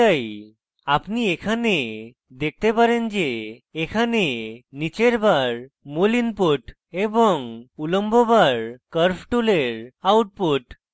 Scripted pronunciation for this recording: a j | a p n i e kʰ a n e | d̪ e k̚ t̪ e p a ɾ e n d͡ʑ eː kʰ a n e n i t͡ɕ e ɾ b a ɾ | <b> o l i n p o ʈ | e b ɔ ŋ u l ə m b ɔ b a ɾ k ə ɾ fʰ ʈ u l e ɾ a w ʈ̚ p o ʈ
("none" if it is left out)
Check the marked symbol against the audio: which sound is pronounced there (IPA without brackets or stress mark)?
m